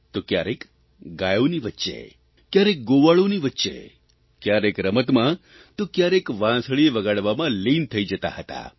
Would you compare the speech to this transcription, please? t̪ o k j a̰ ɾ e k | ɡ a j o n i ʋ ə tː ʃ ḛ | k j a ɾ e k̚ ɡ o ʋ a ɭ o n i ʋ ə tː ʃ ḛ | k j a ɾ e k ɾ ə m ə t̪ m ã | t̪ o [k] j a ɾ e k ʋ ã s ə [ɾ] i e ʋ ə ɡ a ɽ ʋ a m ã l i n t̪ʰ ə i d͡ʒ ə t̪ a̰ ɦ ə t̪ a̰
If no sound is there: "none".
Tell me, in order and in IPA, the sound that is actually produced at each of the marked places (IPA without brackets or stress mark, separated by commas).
k, ɭ